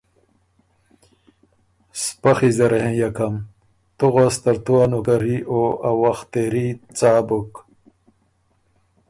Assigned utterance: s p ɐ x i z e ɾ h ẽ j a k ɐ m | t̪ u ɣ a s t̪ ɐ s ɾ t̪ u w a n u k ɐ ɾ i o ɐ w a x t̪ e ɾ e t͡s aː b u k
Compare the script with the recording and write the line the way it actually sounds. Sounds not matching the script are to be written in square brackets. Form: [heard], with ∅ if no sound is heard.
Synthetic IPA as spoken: s p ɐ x i z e ɾ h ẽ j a k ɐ m | t̪ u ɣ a s t̪ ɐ [∅] ɾ t̪ u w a n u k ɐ ɾ i o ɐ w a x t̪ e ɾ [i] t͡s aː b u k